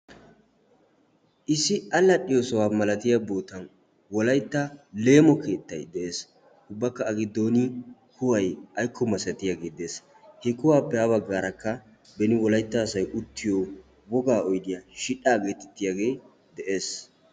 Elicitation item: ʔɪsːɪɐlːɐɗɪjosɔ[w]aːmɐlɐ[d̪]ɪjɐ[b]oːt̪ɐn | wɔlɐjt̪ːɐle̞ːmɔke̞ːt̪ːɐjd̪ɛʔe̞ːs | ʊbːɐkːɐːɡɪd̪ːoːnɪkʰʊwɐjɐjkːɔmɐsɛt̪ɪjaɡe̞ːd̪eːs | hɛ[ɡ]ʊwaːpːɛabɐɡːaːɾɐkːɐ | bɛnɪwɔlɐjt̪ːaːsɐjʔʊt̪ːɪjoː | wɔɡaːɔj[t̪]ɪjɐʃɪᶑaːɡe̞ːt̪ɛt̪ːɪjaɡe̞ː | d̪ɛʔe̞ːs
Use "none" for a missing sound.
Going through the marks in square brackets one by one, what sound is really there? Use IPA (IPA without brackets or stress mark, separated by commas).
w, t̪, b, k, d̪